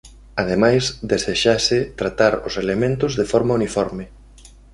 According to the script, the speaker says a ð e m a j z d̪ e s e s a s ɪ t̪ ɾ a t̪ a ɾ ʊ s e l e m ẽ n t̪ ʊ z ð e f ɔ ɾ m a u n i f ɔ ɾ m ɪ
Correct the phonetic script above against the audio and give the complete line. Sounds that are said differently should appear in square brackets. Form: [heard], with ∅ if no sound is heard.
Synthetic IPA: a ð e m a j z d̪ e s e [ʃ] a s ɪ t̪ ɾ a t̪ a ɾ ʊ s e l e m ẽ n t̪ ʊ z ð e f ɔ ɾ m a u n i f ɔ ɾ m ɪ